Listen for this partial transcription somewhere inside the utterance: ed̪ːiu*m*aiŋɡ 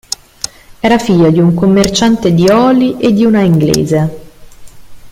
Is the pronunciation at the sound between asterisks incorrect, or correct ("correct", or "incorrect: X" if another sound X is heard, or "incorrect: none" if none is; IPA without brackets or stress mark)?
incorrect: n